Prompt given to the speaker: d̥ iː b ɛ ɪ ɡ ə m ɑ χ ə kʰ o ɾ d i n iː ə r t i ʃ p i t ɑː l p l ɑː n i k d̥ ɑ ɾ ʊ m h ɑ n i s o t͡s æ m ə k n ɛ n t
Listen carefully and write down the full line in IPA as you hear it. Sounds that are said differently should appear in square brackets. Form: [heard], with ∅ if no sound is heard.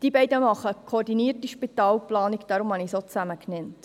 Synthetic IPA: d̥ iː b ɛ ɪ [d] ə m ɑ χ ə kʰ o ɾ d i n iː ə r t i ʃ p i t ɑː l p l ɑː n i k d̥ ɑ ɾ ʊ m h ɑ n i s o t͡s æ m ə k n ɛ n t